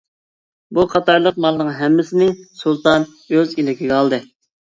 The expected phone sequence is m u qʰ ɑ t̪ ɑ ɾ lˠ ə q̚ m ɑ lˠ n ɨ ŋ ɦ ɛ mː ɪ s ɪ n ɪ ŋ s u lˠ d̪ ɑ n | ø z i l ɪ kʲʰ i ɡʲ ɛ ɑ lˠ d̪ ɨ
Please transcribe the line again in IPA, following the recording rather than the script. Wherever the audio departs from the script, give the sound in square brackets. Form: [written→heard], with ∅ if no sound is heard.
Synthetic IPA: [m→b] u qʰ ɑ t̪ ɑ ɾ lˠ ə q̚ m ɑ lˠ n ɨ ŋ ɦ ɛ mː ɪ s ɪ n ɪ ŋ s u lˠ [d̪→t̪] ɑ n | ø z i l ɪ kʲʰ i ɡʲ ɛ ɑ lˠ d̪ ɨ